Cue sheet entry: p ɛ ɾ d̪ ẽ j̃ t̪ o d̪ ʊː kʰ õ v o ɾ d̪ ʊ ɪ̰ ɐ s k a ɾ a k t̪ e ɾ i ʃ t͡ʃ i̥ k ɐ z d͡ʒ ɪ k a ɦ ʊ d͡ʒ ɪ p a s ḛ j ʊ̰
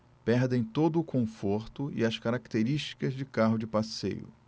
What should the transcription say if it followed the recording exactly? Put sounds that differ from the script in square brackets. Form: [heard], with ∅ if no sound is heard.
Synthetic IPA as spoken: p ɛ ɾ d̪ ẽ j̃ t̪ o d̪ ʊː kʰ õ [f] o ɾ [t̪] ʊ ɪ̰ ɐ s k a ɾ a k t̪ e ɾ i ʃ t͡ʃ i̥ k ɐ z d͡ʒ ɪ k a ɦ ʊ d͡ʒ ɪ p a s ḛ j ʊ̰